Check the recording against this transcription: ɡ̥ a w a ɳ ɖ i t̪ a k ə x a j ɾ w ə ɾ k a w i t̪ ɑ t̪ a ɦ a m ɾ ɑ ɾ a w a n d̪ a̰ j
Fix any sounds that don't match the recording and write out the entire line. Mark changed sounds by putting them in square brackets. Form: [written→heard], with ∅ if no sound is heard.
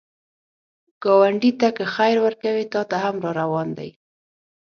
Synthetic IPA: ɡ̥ [a→ɑ] w a ɳ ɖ i t̪ a k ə x a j ɾ w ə ɾ k a w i t̪ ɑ t̪ a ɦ a m ɾ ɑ ɾ a w [a→ɑ] n d̪ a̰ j